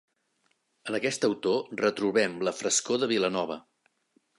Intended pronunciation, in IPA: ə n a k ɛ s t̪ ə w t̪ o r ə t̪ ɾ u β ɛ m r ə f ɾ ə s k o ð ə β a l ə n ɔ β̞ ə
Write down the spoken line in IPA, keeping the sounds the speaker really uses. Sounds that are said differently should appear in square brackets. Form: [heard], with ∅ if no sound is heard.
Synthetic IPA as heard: ə n [ə] k ɛ s t̪ ə w t̪ o r ə t̪ ɾ u β ɛ m [l] ə f ɾ ə s k o ð ə β [i] l ə n ɔ β̞ ə